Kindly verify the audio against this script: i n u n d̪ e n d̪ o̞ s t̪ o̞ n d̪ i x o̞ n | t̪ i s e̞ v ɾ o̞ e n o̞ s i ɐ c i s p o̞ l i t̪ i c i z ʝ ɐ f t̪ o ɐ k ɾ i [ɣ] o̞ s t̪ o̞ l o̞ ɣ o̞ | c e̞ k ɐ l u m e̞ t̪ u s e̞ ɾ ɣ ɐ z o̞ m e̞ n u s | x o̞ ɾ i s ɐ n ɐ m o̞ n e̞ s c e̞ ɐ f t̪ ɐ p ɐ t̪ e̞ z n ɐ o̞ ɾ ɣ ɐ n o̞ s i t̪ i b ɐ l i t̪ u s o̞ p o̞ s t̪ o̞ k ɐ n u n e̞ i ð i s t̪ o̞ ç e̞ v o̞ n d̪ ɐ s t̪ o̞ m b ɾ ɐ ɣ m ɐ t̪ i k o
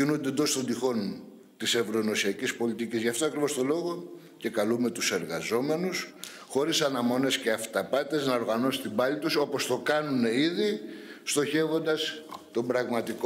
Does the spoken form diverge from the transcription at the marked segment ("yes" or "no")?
yes